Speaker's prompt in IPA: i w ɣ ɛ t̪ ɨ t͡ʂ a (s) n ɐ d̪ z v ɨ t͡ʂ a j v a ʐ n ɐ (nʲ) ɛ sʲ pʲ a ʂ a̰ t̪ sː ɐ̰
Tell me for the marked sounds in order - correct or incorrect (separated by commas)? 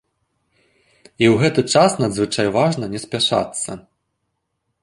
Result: correct, correct